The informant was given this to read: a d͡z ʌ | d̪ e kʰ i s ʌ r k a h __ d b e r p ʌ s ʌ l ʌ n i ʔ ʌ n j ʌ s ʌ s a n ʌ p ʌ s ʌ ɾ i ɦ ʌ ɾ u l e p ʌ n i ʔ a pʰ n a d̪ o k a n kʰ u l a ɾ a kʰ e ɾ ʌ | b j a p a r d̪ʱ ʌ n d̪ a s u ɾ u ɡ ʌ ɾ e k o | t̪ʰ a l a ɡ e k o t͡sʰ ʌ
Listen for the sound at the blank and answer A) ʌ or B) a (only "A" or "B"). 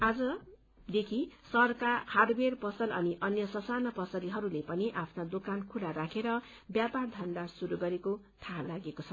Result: B